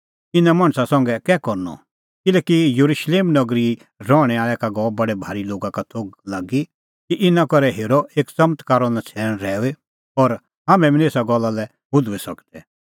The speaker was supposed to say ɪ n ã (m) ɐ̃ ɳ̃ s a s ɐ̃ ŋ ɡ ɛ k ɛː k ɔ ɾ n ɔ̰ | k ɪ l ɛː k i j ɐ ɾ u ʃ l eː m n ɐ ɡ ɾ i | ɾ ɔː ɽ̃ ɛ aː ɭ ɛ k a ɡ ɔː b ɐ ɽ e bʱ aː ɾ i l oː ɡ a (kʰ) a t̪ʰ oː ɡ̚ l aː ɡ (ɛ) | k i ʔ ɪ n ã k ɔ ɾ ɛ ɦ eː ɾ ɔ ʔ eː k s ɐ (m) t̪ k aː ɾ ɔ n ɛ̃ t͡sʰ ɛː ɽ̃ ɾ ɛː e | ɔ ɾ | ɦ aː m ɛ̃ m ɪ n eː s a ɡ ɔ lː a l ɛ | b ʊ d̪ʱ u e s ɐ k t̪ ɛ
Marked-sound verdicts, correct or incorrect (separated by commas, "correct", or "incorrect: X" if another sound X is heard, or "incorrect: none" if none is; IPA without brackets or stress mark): correct, incorrect: k, incorrect: i, correct